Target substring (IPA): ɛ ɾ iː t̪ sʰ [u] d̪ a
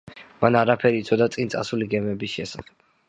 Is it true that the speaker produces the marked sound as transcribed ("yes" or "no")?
no